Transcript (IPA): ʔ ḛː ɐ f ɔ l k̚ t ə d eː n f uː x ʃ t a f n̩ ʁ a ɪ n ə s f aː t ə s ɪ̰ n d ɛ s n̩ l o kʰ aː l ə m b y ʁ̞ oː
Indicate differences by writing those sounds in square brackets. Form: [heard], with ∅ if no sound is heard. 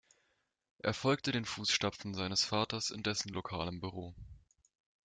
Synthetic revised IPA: ʔ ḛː ɐ f ɔ l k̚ t ə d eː n f uː [s] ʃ t a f n̩ [z] a ɪ n ə s f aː t [ɐ] s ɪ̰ n d ɛ s n̩ l o kʰ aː l ə m b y ʁ̞ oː